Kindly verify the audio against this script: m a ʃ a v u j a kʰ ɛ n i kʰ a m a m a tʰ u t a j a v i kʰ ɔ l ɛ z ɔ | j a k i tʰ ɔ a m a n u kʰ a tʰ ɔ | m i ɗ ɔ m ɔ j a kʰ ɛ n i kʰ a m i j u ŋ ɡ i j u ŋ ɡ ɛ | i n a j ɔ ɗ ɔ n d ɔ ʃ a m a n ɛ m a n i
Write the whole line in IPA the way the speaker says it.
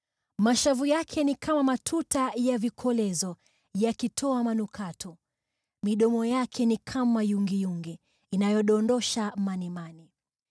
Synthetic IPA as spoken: m a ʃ a v u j a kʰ ɛ n i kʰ a m a m a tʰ u t a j a v i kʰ ɔ l ɛ z ɔ | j a k i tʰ ɔ a m a n u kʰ a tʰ ɔ | m i ɗ ɔ m ɔ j a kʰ ɛ n i kʰ a m a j u ŋ ɡ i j u ŋ ɡ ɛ | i n a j ɔ ɗ ɔ n d ɔ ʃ a m a n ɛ m a n i